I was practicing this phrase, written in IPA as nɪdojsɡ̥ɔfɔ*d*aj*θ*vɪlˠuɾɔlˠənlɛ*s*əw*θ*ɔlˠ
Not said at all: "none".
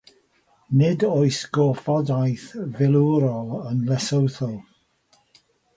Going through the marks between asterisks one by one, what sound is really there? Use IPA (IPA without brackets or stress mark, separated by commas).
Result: d, θ, s, θ